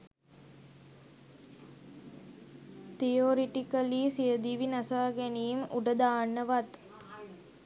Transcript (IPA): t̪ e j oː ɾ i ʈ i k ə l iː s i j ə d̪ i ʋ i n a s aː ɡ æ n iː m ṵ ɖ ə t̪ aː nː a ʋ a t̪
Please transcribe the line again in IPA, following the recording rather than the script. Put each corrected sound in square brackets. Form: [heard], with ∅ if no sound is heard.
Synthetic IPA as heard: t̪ [i] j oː ɾ i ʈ i k ə l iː s i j ə d̪ i ʋ i n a s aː ɡ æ n iː m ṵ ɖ ə [d̪] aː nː [ə] ʋ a t̪

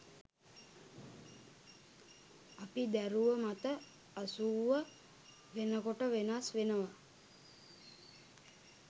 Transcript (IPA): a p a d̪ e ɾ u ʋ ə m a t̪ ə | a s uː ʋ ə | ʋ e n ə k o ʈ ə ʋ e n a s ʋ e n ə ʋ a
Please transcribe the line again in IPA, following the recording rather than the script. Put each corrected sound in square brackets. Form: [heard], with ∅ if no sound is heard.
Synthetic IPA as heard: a p [i] d̪ [æ] ɾ u ʋ ə m a t̪ ə | a s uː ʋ ə | ʋ e n ə k o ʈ ə ʋ e n a s ʋ e n ə ʋ a

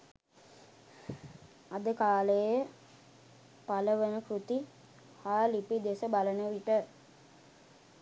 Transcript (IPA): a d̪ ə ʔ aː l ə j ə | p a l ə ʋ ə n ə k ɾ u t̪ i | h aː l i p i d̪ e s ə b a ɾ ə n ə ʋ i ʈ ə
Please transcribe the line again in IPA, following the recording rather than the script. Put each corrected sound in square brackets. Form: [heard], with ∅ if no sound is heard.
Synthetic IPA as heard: a d̪ ə [k] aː l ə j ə | p a l ə ʋ ə n ə k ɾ u t̪ i | h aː l i p i d̪ e s ə b a [l] ə n ə ʋ i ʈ ə

